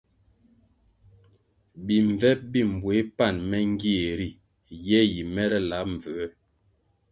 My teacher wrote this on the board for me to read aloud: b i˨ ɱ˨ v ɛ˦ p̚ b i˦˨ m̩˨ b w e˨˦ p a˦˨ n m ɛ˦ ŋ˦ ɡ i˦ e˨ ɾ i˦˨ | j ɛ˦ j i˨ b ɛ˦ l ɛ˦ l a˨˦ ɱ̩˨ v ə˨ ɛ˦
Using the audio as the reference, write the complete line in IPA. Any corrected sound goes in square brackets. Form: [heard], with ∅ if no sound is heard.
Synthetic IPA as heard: b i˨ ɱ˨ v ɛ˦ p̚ b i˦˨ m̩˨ b w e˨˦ p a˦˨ n m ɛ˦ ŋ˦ ɡ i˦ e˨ ɾ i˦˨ | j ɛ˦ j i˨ [m] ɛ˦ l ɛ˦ l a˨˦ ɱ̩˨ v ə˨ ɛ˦